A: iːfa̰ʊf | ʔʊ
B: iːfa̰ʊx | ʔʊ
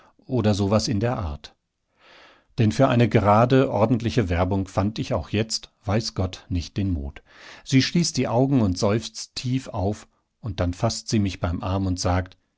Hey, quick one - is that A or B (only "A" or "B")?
A